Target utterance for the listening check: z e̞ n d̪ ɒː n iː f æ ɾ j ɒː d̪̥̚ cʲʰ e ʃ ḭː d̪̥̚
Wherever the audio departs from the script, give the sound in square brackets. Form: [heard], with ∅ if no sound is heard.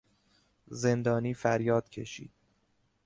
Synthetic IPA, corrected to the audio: z e̞ n d̪ ɒː n iː f æ ɾ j ɒː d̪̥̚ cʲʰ e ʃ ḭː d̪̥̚